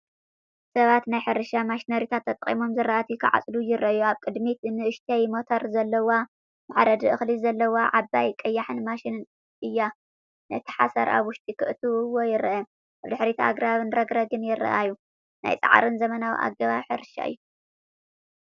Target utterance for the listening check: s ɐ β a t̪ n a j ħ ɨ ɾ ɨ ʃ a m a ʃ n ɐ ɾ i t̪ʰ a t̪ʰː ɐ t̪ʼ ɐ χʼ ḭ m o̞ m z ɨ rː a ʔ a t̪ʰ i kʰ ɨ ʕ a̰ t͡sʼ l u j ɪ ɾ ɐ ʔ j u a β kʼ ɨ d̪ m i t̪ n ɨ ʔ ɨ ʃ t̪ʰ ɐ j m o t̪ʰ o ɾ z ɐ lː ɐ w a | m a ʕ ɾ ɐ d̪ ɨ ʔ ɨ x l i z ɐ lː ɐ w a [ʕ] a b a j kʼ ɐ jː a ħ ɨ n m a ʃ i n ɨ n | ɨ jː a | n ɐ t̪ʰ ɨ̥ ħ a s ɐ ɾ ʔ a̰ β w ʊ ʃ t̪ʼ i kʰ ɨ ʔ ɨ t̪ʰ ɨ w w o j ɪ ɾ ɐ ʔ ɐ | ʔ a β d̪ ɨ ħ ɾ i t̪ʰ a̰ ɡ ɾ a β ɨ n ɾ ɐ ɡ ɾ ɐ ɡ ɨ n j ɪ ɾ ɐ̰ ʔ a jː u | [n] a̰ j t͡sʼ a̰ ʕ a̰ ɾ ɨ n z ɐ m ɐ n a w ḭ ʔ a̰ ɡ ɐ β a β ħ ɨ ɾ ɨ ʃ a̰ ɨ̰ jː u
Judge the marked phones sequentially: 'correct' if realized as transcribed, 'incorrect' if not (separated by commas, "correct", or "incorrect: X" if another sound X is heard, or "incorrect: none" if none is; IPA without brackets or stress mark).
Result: correct, correct